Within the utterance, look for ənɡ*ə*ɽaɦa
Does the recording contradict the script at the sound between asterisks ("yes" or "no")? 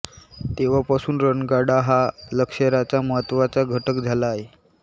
yes